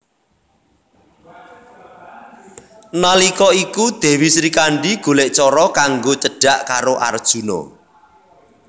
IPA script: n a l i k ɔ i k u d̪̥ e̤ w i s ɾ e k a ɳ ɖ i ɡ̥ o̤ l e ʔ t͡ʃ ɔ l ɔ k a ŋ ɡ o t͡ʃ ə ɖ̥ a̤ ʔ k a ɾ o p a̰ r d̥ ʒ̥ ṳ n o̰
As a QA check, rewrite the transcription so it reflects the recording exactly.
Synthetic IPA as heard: n a l i k ɔ i k u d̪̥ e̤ w i s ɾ i k a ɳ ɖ i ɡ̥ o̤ l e ʔ t͡ʃ ɔ ɾ ɔ k a ŋ ɡ o t͡ʃ ə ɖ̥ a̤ ʔ k a ɾ o ʔ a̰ r d̥ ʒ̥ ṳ n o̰